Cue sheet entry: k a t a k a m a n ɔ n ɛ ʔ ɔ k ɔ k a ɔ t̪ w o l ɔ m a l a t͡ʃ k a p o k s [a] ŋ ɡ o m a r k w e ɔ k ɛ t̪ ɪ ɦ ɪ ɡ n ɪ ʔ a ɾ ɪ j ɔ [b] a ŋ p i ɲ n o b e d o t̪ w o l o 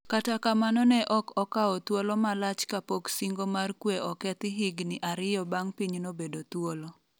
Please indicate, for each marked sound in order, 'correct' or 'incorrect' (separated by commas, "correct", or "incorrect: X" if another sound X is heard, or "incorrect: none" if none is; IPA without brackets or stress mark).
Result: incorrect: i, correct